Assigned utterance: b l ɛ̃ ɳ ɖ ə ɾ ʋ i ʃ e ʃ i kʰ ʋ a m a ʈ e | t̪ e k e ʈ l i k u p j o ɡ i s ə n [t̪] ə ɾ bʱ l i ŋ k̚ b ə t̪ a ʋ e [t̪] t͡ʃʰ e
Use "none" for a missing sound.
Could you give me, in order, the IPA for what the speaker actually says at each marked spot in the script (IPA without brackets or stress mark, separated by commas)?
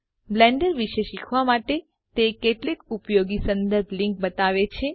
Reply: d̪, none